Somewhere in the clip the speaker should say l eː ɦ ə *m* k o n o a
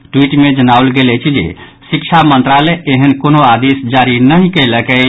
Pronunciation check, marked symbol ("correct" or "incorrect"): incorrect